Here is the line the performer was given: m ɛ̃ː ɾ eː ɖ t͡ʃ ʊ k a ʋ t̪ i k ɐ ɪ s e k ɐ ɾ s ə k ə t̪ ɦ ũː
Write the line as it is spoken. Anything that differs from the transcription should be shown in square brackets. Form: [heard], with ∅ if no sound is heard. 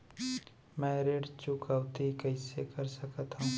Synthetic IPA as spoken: m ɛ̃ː ɾ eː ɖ t͡ʃ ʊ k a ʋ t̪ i k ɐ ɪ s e k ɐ ɾ s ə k ə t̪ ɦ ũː